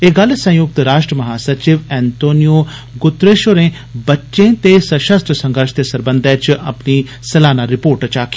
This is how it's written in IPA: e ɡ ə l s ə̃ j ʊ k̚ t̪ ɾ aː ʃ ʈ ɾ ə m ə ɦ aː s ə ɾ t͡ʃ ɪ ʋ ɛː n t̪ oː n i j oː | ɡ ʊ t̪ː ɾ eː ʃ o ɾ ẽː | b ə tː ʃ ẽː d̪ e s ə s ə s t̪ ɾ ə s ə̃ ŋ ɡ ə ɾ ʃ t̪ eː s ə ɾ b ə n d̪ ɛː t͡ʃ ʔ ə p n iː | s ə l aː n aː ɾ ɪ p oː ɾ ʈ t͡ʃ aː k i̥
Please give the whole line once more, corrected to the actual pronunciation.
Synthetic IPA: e ɡ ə l s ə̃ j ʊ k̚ t̪ ɾ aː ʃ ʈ ɾ ə m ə ɦ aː s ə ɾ t͡ʃ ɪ ʋ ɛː n t̪ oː n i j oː | ɡ ʊ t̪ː ɾ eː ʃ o ɾ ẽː | b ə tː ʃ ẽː t̪ e s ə ʃ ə s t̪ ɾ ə s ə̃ ŋ ɡ ə ɾ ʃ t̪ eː s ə ɾ b ə n d̪ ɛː t͡ʃ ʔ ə p n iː | s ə l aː n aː ɾ ɪ p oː ɾ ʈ t͡ʃ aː k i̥